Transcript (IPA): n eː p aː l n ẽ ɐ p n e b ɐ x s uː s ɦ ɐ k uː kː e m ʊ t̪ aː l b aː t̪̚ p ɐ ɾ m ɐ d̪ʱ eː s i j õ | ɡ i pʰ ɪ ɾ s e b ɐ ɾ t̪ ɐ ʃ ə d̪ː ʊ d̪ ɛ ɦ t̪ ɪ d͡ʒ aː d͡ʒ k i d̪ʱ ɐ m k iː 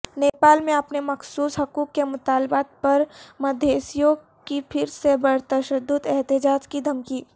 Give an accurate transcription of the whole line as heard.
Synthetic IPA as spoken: n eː p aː l m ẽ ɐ p n e m ɐ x s uː s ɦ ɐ k uː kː e m ʊ t̪ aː l b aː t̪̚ p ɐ ɾ m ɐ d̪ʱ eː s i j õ | k i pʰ ɪ ɾ s e b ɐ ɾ t̪ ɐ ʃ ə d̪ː ʊ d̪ ɛ ɦ t̪ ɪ d͡ʒ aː d͡ʒ k i d̪ʱ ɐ m k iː